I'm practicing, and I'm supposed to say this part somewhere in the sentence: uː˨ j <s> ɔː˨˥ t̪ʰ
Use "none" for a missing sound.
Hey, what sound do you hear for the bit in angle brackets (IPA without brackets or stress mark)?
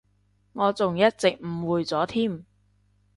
t͡s